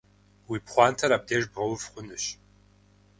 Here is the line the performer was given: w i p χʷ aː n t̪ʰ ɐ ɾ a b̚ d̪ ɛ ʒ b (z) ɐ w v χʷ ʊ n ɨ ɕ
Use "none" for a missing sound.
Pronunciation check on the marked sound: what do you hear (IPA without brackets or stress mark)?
ʁ